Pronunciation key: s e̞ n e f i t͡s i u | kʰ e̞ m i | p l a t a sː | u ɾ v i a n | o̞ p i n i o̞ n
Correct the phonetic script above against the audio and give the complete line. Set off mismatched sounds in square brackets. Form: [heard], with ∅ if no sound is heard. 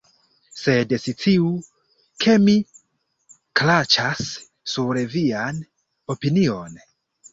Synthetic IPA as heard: s e̞ [d] e [s] i t͡s i u | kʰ e̞ m i | [k] l a [t͡ʃ] a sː | u ɾ v i a n | o̞ p i n i o̞ n

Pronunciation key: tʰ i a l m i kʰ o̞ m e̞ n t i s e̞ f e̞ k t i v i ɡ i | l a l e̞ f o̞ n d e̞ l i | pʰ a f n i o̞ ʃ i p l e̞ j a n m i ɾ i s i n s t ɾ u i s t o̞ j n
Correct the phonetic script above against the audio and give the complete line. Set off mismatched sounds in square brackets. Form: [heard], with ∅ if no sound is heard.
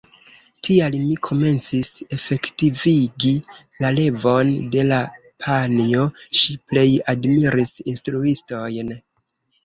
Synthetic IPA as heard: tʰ i a l m i kʰ o̞ m e̞ n [t͡s] i s e̞ f e̞ k t i v i ɡ i | l a l e̞ [v] o̞ n d e̞ l [a] | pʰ a [∅] n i o̞ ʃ i p l e̞ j a [d] m i ɾ i s i n s t ɾ u i s t o̞ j n

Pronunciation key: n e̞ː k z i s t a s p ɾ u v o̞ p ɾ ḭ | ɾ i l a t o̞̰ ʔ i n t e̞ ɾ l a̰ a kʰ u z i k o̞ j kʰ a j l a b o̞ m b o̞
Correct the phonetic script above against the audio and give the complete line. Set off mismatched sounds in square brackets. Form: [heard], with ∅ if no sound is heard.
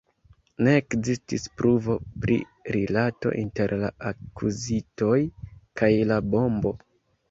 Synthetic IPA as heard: n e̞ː k z i s t [i] s p ɾ u v o̞ p ɾ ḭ | ɾ i l a t o̞̰ ʔ i n t e̞ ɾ l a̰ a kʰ u z i [t] o̞ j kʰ a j l a b o̞ m b o̞

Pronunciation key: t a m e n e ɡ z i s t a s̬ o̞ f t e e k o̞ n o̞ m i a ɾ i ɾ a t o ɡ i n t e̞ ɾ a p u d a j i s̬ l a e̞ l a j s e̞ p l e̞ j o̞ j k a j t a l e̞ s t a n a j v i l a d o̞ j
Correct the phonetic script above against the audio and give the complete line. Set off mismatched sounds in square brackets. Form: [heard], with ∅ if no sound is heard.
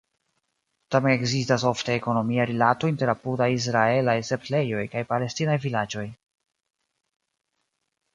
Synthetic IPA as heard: t a m e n e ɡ z i s t a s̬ o̞ f t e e k o̞ n o̞ m i a ɾ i [l] a t o [∅] i n t e̞ ɾ a p u d a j i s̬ [ɾ] a e̞ l a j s e̞ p l e̞ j o̞ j k a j [p] a l e̞ s t [i] n a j v i l a [d͡ʒ] o̞ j

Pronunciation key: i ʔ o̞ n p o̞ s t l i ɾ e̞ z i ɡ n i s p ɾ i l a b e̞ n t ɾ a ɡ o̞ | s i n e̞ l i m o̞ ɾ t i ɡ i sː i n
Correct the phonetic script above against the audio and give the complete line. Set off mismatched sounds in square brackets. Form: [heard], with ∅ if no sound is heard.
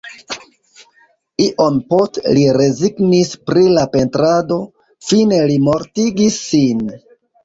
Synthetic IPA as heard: i ʔ o̞ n p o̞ s t l i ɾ e̞ z i ɡ n i s p ɾ i l a [p] e̞ n t ɾ a [d] o̞ | [f] i n e̞ l i m o̞ ɾ t i ɡ i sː i n

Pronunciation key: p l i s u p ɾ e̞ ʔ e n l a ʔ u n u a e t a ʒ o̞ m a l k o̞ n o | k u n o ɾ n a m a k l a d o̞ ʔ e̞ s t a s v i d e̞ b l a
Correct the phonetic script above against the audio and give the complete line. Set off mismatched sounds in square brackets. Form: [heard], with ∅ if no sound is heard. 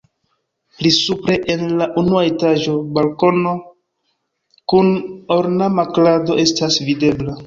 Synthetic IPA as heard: p l i s u p ɾ e̞ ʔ e n l a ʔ u n u a e t a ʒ o̞ [b] a l k o̞ n o | k u n o ɾ n a m a k l a d o̞ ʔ e̞ s t a s v i d e̞ b l a

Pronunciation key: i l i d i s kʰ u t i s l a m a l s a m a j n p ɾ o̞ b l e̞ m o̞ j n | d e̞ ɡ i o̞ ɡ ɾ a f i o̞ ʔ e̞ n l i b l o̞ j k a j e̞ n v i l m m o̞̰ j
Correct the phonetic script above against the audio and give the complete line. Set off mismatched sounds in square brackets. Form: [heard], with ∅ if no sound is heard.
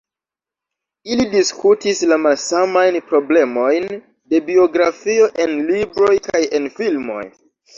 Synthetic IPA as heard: i l i d i s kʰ u t i s l a m a l s a m a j n p ɾ o̞ b l e̞ m o̞ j n | d e̞ [b] i o̞ ɡ ɾ a f i o̞ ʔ e̞ n l i b [ɾ] o̞ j k a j e̞ n [f] i l m m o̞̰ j

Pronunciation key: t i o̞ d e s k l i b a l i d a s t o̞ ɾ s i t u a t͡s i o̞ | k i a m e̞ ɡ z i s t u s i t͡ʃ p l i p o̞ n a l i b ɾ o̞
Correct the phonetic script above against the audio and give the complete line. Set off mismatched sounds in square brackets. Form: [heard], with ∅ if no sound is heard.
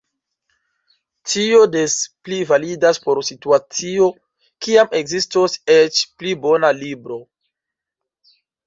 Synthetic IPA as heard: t i o̞ d e s [p] l i [v] a l i d a s [p] o̞ ɾ s i t u a t͡s i o̞ | k i a m e̞ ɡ z i s t [o] s [e] t͡ʃ p l i [b] o̞ n a l i b ɾ o̞

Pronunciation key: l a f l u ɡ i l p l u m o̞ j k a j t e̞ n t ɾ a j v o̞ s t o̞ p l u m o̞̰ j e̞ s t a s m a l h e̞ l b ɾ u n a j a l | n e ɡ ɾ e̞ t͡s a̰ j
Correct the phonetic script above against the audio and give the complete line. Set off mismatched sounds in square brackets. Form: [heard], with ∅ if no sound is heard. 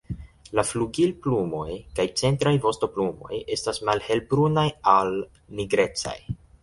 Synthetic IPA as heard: l a f l u ɡ i l p l u m o̞ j k a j [t͡s] e̞ n t ɾ a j v o̞ s t o̞ p l u m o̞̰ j e̞ s t a s m a l h e̞ l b ɾ u n a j a l | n [i] ɡ ɾ e̞ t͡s a̰ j

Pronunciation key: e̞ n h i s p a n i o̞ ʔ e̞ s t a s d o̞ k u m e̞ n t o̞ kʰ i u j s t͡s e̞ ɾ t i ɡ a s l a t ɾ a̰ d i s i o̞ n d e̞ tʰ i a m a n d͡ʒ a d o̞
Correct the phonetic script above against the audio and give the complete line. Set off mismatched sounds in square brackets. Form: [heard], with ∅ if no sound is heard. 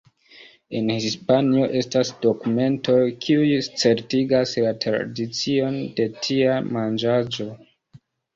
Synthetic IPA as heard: e̞ n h i s p a n i o̞ ʔ e̞ s t a s d o̞ k u m e̞ n t o̞ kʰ i u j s t͡s e̞ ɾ t i ɡ a s l a t ɾ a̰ d i [t͡s] i o̞ n d e̞ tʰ i a m a n d͡ʒ a [d͡ʒ] o̞

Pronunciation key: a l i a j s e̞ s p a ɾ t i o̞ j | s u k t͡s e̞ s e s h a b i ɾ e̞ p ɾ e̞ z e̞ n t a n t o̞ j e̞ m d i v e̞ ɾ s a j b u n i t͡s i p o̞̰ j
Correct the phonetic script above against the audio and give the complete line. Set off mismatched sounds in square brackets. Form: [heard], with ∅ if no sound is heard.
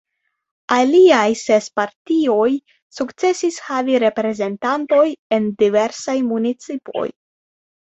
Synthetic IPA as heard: a l i a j s e̞ s p a ɾ t i o̞ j | s u k t͡s e̞ s [i] s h a [v] i ɾ e̞ p ɾ e̞ z e̞ n t a n t o̞ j e̞ [n] d i v e̞ ɾ s a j [m] u n i t͡s i p o̞̰ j

